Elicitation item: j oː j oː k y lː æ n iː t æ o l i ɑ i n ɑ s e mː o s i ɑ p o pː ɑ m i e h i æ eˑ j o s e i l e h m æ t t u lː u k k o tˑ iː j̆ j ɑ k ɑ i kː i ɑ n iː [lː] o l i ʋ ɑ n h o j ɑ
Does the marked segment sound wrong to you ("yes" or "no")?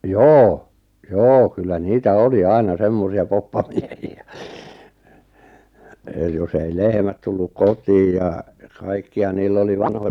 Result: no